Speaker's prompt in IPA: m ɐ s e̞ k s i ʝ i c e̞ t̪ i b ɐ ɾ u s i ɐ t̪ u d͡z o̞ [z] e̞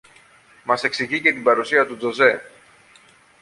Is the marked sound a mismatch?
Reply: no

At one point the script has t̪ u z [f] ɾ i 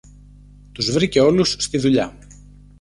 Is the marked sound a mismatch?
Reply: yes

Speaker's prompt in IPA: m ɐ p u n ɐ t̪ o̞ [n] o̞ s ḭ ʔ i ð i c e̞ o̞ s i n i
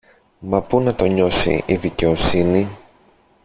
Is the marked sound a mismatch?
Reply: yes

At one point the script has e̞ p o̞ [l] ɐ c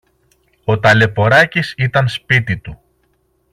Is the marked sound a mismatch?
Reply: yes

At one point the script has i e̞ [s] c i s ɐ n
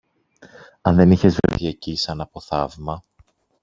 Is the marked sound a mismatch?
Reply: yes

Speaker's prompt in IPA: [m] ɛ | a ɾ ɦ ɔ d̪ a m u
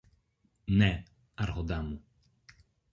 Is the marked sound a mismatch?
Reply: yes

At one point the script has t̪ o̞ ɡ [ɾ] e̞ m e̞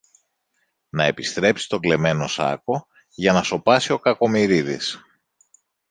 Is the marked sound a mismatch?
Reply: yes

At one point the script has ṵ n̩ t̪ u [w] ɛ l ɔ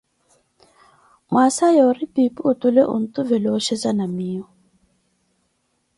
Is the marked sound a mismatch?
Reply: yes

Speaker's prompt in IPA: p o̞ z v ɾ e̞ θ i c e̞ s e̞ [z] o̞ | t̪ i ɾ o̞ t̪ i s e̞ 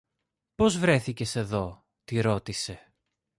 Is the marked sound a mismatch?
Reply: yes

